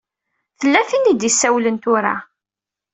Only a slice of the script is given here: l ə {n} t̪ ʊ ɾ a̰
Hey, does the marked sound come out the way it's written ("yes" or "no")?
yes